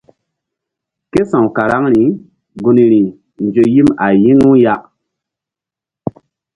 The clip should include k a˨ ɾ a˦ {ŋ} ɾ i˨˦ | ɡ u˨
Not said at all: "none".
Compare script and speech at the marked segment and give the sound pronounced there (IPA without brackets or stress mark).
ŋ